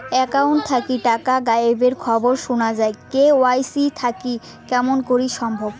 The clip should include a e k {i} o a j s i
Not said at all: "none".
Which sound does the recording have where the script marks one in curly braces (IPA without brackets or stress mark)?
e